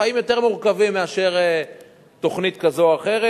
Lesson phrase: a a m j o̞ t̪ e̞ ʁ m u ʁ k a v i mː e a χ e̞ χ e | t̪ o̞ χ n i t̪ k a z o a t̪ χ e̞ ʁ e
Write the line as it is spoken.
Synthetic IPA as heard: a i m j o̞ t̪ e̞ ʁ m u ʁ k a v i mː e a ʃ e̞ ʁ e | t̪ o̞ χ n i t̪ k a z o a χ e̞ ʁ e